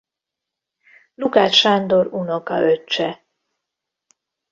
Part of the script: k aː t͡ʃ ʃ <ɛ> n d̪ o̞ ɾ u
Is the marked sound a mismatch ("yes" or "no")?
yes